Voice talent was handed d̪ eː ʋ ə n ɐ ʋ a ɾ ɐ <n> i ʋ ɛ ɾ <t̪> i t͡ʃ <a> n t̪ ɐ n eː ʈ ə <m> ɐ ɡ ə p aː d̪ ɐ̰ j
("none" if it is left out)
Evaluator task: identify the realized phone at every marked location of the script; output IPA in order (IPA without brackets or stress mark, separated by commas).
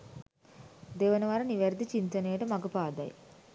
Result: n, d̪, i, m